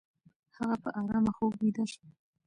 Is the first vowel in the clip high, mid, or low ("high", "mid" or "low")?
low